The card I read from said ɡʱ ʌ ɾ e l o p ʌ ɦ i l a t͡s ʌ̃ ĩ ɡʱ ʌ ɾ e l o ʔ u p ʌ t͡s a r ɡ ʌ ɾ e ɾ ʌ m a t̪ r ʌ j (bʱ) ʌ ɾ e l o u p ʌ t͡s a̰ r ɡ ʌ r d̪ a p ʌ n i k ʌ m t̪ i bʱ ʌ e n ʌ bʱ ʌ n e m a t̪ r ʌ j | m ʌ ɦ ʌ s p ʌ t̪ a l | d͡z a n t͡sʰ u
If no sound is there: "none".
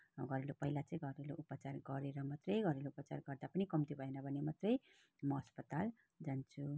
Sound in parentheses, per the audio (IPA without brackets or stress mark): ɡʱ